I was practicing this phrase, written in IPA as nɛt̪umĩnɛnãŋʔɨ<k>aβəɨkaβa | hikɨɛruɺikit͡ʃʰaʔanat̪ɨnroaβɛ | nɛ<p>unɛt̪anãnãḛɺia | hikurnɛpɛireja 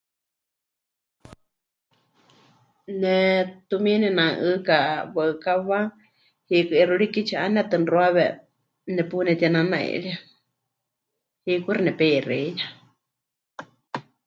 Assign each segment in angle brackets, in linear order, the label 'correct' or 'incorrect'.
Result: correct, correct

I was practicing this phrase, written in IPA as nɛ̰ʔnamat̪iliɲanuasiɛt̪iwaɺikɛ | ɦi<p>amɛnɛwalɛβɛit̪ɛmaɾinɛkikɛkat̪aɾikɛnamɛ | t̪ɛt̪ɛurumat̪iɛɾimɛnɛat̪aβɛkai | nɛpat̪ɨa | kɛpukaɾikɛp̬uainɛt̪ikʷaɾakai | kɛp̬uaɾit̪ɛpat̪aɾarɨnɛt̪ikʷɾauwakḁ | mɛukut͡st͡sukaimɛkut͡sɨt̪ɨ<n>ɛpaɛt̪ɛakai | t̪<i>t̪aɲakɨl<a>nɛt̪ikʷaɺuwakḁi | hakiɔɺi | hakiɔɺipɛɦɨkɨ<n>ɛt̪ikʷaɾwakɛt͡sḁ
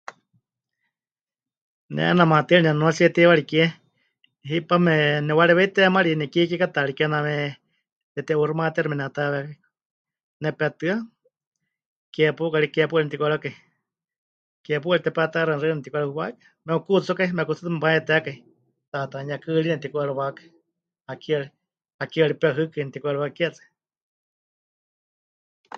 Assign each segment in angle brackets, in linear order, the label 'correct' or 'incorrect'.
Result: correct, incorrect: m, incorrect: a, incorrect: i, correct

